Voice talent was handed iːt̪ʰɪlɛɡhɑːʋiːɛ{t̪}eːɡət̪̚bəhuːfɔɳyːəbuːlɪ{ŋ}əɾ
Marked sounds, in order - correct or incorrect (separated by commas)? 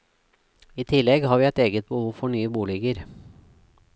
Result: correct, incorrect